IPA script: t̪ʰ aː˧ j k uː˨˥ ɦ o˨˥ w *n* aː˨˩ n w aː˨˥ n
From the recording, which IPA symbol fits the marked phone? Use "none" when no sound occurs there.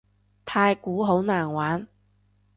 n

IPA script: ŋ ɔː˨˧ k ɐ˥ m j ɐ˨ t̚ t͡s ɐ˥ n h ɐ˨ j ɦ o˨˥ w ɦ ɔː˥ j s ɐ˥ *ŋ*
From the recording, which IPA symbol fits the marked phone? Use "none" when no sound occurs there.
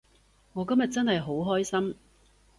m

